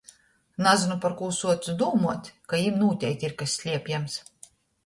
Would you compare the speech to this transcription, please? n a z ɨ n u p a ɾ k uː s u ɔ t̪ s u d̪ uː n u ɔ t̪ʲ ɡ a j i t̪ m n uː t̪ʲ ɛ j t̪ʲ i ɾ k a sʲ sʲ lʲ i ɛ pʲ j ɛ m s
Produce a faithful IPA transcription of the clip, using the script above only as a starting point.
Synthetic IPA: n a z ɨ n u p a ɾ k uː s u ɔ t̪ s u d̪ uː m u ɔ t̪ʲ k a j i m n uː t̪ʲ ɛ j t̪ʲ i ɾ k a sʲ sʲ lʲ i ɛ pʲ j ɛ m s